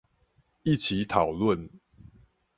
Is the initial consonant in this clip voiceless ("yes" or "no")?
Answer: yes